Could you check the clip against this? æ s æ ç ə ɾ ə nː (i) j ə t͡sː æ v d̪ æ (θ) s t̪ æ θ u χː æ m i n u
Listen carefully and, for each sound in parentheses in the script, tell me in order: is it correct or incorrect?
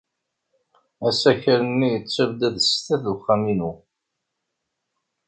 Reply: correct, incorrect: ð

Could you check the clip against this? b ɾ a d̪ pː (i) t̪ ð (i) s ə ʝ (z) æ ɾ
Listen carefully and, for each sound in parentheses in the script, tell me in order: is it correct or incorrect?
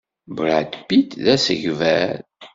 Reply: correct, incorrect: æ, incorrect: v

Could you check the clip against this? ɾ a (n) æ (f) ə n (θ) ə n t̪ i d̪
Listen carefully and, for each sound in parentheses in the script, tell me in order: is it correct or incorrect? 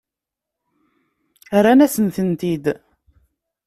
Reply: correct, incorrect: s, correct

